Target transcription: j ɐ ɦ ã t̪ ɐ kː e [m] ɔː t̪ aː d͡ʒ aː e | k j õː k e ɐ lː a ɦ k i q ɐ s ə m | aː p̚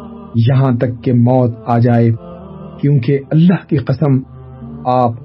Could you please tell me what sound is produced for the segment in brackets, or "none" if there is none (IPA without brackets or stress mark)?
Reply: m